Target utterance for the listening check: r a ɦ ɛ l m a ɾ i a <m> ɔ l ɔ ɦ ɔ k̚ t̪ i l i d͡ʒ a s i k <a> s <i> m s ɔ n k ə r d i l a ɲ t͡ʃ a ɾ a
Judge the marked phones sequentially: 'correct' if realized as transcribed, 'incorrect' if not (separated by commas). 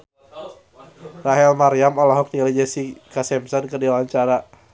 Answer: correct, correct, incorrect